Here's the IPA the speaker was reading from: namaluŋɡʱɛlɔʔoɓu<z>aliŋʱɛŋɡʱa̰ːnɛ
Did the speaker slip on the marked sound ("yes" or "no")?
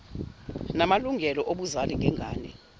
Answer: no